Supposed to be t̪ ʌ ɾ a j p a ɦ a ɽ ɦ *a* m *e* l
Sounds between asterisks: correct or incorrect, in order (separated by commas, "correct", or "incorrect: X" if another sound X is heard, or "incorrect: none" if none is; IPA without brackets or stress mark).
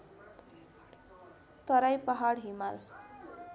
incorrect: i, incorrect: a